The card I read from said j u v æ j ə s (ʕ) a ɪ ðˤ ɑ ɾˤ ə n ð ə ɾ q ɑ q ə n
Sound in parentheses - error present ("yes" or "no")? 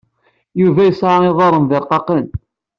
no